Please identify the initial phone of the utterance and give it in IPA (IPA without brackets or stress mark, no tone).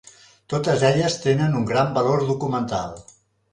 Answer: t̪